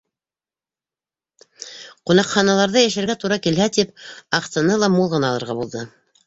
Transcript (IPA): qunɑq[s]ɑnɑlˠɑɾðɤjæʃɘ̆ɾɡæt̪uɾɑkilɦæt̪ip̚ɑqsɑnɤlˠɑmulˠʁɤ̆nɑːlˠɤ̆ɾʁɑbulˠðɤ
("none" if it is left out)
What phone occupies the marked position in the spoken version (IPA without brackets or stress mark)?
χ